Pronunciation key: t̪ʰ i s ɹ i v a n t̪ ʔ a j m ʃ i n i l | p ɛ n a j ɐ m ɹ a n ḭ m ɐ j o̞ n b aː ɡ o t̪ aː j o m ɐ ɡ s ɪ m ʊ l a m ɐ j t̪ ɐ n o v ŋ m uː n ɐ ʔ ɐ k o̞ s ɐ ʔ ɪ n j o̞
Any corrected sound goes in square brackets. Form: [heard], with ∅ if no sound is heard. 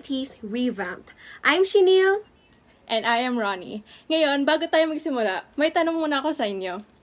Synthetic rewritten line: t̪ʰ i s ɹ i v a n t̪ ʔ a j m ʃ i n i l | [ʔ] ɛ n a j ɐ m ɹ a n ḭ [ŋ] ɐ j o̞ n b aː ɡ o t̪ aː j o m ɐ ɡ s ɪ m ʊ l a m ɐ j t̪ ɐ n o [∅] ŋ m uː n ɐ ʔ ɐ k o̞ s ɐ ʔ ɪ n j o̞